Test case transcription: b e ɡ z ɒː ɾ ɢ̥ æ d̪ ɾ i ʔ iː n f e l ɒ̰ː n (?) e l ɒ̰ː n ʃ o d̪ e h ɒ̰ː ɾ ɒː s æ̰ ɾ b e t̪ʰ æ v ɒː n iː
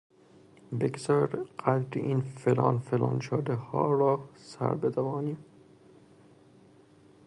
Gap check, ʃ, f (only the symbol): f